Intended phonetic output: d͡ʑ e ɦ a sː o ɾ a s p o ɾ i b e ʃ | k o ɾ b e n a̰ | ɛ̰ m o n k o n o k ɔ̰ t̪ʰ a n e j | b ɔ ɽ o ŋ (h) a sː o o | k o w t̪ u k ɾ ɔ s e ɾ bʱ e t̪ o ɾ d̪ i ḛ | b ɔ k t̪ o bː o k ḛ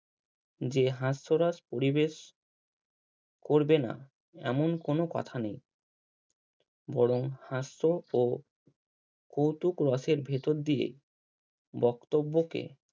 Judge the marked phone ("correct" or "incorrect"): correct